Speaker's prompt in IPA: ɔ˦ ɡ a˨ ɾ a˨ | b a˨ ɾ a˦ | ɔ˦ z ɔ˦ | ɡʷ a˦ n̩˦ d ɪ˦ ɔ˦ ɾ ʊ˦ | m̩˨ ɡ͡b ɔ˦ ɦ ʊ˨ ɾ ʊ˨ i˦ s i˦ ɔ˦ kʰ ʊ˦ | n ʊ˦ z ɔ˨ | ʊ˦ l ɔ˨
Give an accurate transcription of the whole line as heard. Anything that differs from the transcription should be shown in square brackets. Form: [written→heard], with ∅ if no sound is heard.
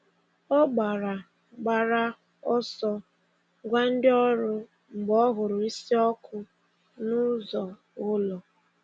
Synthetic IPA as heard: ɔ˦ [ɡ→ɡ͡b] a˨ ɾ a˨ | [b→ɡ͡b] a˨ ɾ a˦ | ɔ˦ [z→s] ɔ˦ | ɡʷ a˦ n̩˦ d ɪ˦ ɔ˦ ɾ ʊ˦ | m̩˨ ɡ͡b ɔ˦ ɦ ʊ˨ ɾ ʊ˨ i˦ s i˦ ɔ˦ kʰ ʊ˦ | n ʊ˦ z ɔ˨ | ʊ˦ l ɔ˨